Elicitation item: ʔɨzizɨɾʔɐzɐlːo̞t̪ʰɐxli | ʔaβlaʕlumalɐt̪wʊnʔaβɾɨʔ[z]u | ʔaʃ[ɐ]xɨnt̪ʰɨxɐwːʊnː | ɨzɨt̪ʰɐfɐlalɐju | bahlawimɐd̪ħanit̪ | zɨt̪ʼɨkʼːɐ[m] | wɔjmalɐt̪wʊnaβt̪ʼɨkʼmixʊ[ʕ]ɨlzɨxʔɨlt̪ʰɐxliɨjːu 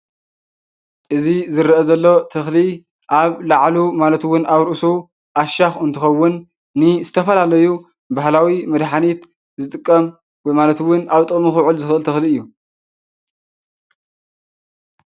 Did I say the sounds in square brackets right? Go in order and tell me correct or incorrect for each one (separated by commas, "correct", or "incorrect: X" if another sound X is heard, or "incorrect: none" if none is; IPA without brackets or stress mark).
incorrect: s, incorrect: a, correct, correct